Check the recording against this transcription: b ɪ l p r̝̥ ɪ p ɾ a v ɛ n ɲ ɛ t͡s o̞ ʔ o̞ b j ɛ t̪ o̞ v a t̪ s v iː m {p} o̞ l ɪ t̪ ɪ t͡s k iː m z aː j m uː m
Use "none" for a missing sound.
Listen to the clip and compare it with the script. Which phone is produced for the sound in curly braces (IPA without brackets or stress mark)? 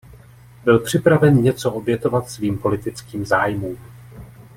p